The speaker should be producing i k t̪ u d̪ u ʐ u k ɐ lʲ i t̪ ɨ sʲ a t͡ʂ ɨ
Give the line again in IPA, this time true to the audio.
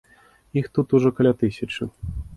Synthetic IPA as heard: i x t̪ u t̪ u ʐ ɔ k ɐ lʲ a t̪ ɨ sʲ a t͡ʂ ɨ